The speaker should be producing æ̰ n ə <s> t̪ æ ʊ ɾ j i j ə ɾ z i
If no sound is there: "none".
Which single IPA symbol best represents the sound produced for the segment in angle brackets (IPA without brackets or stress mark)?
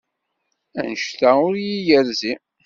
ʃ